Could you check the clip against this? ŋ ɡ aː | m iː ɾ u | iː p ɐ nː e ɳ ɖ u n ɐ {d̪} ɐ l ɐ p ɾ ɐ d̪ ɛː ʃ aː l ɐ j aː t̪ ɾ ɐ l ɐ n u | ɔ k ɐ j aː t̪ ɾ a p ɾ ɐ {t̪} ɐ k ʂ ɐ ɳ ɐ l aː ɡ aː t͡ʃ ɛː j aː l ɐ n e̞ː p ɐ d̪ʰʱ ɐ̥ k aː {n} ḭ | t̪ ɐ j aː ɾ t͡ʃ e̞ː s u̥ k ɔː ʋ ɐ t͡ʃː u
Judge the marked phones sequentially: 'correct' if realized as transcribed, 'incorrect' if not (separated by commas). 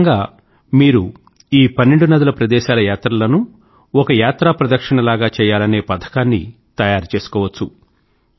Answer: correct, incorrect, incorrect